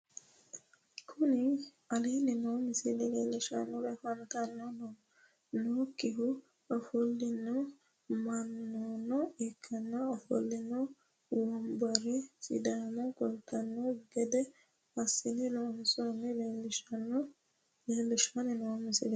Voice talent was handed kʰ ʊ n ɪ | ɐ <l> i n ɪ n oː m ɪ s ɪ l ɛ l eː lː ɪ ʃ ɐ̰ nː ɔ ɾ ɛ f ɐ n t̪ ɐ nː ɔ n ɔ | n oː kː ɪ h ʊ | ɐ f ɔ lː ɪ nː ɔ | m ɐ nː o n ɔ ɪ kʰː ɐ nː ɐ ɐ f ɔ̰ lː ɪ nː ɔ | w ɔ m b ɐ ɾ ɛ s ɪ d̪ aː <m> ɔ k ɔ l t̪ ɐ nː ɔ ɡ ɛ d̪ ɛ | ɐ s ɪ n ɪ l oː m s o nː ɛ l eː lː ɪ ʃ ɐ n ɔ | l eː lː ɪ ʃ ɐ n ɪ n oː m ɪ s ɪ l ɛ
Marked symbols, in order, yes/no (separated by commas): yes, yes